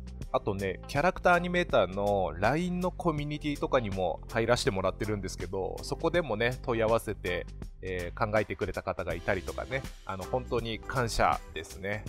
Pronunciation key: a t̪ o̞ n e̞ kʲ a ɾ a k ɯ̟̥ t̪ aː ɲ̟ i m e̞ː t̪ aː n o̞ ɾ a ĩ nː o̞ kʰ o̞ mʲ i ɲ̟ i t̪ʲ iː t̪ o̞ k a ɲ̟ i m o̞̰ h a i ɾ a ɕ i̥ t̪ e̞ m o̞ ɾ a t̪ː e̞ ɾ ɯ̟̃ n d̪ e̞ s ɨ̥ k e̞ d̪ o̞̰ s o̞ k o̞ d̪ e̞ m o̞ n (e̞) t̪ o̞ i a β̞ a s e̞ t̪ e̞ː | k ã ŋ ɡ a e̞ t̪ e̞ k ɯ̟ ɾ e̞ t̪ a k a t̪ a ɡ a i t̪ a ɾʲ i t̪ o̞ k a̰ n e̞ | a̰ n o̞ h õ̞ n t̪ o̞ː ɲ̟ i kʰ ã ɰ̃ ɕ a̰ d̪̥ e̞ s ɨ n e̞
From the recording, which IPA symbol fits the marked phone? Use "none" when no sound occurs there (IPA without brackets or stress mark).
e̞